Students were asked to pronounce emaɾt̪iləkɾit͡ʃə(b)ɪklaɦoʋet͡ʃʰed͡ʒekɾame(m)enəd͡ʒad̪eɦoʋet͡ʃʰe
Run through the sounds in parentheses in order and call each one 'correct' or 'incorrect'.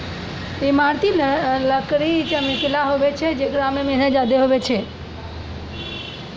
incorrect: m, correct

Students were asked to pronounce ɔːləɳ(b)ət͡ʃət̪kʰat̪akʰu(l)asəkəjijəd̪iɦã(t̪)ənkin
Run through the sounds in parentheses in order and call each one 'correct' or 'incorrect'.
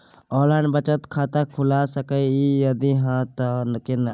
correct, correct, correct

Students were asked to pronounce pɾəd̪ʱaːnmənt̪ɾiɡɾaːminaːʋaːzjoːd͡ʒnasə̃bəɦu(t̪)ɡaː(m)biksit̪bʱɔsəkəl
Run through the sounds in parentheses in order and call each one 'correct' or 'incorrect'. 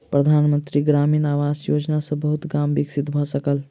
correct, correct

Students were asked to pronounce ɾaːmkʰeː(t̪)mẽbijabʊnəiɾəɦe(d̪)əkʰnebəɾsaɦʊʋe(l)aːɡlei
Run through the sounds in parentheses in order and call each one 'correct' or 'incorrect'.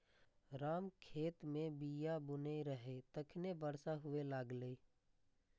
correct, incorrect: t̪, correct

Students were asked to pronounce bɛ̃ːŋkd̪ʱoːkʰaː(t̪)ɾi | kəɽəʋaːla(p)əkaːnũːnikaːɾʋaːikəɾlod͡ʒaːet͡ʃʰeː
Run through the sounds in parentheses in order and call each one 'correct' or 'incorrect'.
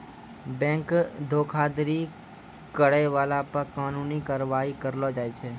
incorrect: d̪, correct

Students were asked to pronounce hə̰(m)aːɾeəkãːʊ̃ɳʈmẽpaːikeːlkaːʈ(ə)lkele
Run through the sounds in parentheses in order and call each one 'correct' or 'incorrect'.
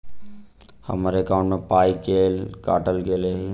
correct, correct

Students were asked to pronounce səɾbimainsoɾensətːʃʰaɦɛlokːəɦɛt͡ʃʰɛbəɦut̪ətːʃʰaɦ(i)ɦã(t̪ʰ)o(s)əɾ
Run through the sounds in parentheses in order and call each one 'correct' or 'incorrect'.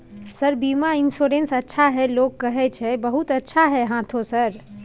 incorrect: ɛ, correct, correct

